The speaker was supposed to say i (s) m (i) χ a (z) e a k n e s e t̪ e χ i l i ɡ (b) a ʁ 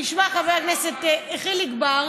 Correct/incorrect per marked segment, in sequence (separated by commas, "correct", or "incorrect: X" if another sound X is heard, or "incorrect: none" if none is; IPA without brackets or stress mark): incorrect: ʃ, incorrect: a, incorrect: v, correct